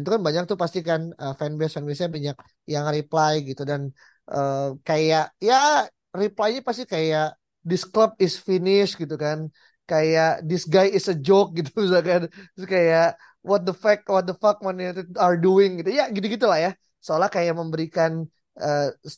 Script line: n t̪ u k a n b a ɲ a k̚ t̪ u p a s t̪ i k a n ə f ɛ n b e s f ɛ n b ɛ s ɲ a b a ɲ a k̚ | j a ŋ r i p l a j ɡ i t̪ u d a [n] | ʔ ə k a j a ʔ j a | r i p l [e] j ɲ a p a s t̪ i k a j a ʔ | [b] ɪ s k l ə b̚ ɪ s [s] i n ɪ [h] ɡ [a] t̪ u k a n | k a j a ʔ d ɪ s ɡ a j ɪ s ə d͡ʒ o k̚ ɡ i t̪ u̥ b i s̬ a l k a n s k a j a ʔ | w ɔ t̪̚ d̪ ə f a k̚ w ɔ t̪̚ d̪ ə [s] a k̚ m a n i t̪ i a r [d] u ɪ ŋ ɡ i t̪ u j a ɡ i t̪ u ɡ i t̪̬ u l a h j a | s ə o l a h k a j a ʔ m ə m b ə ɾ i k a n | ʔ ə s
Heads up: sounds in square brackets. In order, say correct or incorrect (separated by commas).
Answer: correct, incorrect, incorrect, incorrect, incorrect, incorrect, incorrect, correct